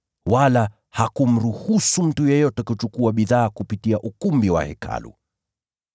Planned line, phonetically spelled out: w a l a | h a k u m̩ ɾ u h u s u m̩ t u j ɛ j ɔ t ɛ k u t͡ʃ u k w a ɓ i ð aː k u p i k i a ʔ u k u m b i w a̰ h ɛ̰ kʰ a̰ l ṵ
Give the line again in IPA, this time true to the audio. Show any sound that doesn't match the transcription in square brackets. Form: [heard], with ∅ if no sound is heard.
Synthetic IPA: w a l a | h a k u m̩ ɾ u h u s u m̩ t u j ɛ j ɔ t ɛ k u t͡ʃ u k [u] a ɓ i ð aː k u p i [t] i a ʔ u k u m b i w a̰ h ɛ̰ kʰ a̰ l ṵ